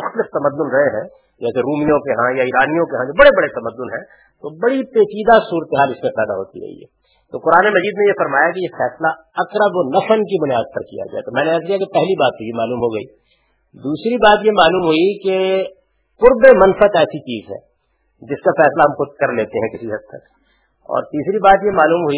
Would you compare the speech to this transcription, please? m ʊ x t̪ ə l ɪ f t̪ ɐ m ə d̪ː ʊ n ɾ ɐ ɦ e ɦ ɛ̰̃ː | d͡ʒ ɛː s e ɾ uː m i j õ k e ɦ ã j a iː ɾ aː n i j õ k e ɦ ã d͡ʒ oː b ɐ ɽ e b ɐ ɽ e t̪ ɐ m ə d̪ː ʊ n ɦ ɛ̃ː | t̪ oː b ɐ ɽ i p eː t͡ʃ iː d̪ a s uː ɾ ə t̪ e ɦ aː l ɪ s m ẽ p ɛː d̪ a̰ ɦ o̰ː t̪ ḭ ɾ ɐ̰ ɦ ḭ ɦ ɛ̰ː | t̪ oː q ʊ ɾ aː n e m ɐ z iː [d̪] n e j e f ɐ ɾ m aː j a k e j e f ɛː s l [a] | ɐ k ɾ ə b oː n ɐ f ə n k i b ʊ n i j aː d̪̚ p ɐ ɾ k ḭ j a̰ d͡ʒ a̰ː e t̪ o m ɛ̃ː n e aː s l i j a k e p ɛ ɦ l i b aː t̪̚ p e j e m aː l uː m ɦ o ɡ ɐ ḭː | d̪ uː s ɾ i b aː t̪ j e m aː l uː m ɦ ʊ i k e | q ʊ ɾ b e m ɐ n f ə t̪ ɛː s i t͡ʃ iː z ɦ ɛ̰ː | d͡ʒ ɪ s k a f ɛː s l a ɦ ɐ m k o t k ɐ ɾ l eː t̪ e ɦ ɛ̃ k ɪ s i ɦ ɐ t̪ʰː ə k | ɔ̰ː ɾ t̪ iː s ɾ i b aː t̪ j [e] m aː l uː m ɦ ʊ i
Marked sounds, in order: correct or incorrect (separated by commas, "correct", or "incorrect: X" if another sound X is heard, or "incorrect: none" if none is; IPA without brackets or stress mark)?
correct, correct, correct